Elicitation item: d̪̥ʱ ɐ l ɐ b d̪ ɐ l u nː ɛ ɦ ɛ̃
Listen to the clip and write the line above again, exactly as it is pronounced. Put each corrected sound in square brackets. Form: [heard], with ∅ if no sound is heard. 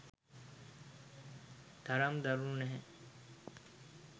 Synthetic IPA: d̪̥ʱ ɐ [ɾ] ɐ [m] d̪ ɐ [ɾ] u [n] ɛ ɦ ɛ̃